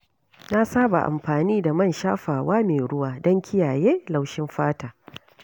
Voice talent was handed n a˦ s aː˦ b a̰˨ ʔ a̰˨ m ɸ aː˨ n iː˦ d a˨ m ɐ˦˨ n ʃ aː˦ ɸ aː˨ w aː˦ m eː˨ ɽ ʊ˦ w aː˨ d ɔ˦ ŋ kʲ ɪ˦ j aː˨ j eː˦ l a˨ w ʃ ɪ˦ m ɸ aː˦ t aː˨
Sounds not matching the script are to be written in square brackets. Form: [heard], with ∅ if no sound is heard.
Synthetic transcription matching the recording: n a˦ s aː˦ b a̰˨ ʔ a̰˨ m ɸ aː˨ n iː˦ d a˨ m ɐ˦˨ n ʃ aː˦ ɸ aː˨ w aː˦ m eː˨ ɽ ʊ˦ w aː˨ d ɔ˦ ŋ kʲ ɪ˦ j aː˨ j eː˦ l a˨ w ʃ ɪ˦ m ɸ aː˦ t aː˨